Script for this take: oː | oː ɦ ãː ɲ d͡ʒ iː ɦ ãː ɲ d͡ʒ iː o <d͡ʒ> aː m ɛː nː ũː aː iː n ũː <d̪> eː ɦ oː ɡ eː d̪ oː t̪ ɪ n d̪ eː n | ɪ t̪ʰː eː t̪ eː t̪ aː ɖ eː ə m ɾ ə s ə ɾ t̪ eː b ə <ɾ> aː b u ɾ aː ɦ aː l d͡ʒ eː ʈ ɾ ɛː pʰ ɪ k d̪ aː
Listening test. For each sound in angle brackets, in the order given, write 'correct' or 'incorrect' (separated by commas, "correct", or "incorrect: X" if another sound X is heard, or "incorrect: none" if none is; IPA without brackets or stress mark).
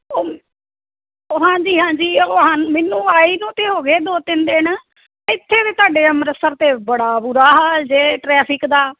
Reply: incorrect: none, incorrect: t̪, incorrect: ɽ